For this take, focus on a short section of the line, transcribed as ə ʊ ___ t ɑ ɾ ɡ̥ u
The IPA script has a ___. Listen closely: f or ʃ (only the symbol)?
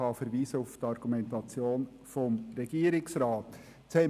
f